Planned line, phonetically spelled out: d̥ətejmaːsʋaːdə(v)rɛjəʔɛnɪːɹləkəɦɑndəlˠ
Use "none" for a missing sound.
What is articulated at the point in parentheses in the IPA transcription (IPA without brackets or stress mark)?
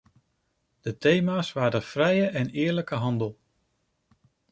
f